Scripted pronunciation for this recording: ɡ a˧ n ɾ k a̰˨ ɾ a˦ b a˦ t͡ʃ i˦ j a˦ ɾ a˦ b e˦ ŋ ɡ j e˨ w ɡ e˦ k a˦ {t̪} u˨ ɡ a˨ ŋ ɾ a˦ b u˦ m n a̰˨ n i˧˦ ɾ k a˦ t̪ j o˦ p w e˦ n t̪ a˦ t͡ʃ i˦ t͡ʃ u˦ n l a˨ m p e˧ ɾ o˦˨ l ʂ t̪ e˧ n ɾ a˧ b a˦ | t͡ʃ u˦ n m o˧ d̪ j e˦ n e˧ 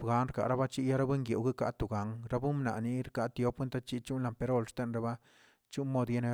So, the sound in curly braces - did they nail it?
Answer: yes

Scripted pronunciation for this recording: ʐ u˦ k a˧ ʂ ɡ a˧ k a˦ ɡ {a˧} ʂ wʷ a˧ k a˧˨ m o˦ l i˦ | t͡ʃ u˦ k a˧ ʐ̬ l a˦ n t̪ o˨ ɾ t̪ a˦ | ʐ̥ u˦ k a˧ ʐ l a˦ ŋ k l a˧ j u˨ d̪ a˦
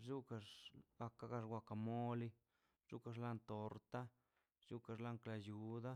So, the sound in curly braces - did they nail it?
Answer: yes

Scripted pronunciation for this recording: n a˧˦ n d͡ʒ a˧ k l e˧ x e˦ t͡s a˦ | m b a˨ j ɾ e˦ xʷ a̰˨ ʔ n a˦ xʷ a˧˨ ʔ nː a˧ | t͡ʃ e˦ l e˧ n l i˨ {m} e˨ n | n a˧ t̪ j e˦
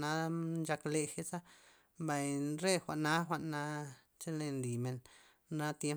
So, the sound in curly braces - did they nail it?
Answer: yes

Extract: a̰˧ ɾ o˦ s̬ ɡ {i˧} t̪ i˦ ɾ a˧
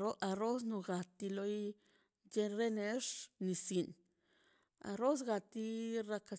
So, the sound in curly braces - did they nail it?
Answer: no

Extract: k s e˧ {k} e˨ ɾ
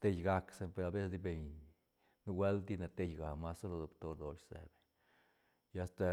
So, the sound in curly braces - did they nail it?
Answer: no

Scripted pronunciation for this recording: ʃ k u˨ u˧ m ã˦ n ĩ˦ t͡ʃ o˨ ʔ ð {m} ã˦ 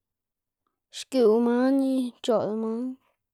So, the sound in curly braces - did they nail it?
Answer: yes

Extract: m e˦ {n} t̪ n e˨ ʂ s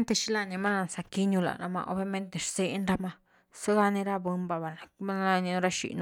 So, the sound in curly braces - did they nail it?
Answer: yes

